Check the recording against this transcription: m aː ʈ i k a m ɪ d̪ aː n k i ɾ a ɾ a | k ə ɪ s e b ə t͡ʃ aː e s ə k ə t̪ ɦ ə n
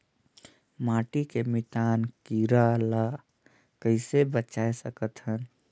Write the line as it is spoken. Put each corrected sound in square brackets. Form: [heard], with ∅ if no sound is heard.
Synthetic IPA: m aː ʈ i k [e] m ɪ [t̪] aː n k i ɾ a [l] a | k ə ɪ s e b ə t͡ʃ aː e s ə k ə t̪ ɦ ə n